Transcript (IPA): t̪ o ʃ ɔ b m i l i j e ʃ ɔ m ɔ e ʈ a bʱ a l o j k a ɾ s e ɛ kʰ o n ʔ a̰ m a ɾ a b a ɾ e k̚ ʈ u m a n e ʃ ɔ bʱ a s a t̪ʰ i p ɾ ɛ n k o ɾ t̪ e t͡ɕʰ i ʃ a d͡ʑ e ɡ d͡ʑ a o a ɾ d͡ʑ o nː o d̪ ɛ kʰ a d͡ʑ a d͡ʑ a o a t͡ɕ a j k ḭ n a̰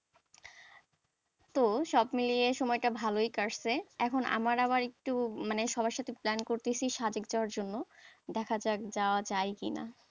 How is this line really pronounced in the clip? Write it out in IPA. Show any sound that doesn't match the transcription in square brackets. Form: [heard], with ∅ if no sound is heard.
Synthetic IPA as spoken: t̪ o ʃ ɔ b m i l i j e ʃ ɔ m ɔ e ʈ a bʱ a l o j k a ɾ s e ɛ kʰ o n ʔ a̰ m a ɾ a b a ɾ e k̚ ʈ u m a n e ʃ ɔ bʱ a [ʃ] a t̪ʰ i p [l] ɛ n k o ɾ t̪ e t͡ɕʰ i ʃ a d͡ʑ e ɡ d͡ʑ a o a ɾ d͡ʑ o nː o d̪ ɛ kʰ a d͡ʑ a d͡ʑ a o a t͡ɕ a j k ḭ n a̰